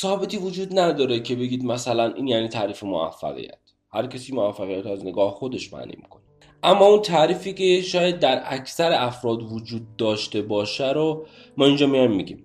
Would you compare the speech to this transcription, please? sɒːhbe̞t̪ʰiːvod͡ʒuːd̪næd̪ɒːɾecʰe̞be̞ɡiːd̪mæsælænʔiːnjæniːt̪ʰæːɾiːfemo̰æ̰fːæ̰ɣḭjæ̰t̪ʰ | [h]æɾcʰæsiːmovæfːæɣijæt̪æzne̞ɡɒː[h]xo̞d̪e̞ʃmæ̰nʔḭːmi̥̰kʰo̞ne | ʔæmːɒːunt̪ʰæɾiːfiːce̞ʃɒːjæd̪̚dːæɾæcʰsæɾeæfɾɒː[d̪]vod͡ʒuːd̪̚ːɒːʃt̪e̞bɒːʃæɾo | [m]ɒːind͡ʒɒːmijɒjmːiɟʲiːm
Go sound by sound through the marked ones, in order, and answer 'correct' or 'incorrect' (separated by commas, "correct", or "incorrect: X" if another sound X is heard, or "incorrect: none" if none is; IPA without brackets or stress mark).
correct, correct, correct, correct